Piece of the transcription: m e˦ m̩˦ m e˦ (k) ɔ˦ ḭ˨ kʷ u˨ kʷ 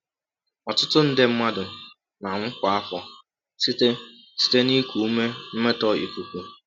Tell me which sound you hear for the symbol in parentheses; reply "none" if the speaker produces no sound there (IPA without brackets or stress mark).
t